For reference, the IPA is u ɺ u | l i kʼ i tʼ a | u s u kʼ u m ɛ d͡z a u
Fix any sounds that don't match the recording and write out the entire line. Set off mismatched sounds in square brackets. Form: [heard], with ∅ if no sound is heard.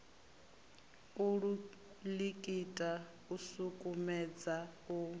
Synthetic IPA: u ɺ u | l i kʼ i tʼ a | u s u kʼ u m ɛ d͡z a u